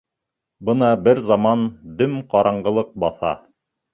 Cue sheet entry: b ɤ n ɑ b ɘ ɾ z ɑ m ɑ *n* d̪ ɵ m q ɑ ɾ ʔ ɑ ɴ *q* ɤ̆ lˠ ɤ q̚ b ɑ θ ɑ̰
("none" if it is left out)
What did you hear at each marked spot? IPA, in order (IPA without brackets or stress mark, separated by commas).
n, ɢ